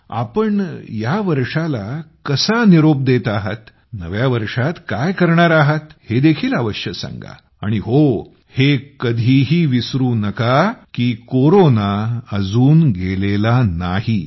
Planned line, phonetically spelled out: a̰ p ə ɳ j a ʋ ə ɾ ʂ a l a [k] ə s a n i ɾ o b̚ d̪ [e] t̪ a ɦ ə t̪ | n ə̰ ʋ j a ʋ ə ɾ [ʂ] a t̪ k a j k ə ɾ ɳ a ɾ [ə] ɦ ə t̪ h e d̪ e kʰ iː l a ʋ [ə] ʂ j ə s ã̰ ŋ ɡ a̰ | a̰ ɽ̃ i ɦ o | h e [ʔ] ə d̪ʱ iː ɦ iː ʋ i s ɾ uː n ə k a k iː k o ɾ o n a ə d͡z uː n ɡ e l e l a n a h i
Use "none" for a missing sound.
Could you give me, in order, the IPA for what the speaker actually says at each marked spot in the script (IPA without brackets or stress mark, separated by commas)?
k, e, ʂ, a, ə, k